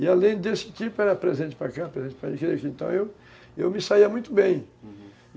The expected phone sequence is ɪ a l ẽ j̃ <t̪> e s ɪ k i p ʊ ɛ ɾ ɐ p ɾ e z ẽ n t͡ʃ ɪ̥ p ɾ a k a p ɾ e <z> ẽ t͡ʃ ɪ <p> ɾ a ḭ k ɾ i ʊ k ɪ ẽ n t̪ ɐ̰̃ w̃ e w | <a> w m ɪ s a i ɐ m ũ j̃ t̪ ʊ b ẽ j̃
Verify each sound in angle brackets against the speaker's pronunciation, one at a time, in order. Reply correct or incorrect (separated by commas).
incorrect, correct, correct, incorrect